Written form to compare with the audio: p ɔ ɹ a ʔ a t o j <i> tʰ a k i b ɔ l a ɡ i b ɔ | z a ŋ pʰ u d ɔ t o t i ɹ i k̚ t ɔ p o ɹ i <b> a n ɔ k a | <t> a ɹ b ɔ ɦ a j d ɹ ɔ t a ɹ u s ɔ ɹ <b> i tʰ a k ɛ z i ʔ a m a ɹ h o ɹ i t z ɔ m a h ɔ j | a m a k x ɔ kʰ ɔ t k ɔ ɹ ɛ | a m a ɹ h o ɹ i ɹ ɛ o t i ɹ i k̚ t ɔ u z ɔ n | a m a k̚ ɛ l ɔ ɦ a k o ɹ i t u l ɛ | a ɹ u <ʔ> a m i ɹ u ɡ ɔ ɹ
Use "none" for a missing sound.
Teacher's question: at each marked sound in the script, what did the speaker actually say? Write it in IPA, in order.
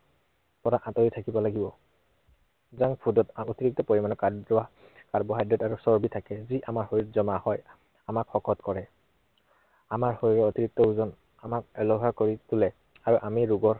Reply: i, m, k, b, ʔ

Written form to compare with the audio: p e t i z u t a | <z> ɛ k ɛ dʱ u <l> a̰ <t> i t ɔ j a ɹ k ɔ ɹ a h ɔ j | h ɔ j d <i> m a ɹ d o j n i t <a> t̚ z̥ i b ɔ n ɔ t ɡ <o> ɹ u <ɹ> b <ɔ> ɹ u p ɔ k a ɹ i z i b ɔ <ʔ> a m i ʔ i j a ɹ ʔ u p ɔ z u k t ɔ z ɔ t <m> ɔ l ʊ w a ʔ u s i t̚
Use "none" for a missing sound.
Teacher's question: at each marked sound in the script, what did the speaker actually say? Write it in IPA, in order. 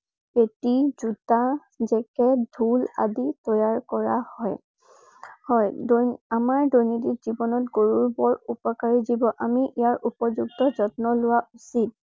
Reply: z, l, d, a, i, o, ɹ, ɔ, ʔ, n

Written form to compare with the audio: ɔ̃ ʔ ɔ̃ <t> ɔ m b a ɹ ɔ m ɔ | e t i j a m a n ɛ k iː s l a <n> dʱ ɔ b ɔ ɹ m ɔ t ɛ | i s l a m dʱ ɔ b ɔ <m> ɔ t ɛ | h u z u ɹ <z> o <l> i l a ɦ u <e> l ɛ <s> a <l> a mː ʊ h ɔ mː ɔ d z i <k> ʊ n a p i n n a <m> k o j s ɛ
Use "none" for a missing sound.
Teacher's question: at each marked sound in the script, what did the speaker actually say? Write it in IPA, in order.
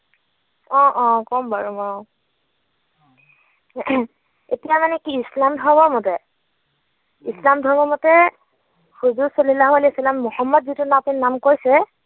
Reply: k, m, m, s, l, a, s, l, t, m

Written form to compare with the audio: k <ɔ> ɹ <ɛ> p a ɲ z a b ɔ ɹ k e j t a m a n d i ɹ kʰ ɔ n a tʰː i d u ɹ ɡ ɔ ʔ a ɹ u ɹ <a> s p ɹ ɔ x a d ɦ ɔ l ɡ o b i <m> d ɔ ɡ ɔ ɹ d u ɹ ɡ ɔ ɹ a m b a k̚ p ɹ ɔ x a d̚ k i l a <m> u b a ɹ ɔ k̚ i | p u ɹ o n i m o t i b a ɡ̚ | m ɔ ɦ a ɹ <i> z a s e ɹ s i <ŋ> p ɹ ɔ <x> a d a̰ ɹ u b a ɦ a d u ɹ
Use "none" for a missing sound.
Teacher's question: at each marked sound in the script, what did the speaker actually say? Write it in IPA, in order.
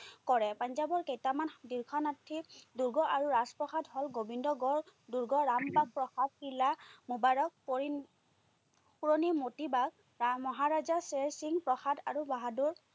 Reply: ɔ, ɛ, a, n, m, a, ŋ, x

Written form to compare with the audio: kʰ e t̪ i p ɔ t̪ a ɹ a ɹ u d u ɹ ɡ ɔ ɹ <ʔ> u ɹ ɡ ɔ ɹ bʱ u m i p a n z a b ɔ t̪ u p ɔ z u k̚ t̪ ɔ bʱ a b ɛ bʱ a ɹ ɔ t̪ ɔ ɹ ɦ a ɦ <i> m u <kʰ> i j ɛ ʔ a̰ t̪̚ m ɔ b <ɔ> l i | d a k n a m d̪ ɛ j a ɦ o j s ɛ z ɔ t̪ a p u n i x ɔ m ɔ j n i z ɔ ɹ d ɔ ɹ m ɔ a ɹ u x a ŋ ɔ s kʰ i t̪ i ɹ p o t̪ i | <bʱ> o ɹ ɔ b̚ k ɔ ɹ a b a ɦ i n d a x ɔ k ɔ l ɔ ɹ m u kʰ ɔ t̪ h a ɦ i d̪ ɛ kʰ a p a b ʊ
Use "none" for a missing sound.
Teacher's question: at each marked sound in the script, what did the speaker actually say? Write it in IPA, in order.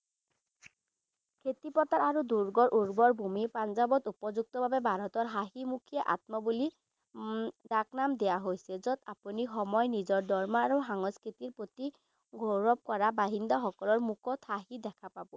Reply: ʔ, i, kʰ, u, ɡʱ

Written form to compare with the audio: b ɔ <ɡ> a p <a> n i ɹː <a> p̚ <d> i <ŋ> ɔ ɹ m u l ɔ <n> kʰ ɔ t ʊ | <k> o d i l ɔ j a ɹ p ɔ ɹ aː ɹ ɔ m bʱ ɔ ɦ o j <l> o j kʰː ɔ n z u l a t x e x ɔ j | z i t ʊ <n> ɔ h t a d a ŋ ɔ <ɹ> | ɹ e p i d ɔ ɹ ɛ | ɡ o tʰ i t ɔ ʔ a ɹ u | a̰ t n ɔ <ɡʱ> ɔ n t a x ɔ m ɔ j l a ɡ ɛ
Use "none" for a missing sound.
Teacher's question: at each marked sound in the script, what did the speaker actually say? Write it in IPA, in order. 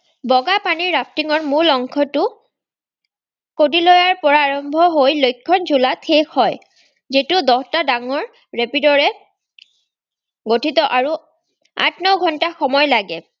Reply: ɡ, a, a, t, ŋ, ŋ, k, l, d, ɹ, ɡʱ

